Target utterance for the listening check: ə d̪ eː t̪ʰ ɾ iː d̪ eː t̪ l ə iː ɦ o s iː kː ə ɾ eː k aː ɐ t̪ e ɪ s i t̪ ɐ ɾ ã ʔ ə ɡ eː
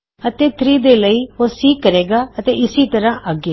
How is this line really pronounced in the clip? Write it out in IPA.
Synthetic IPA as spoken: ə t̪ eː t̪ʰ ɾ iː d̪ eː l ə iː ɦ o s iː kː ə ɾ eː ɡ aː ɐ t̪ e ɪ s i t̪ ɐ ɾ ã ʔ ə ɡ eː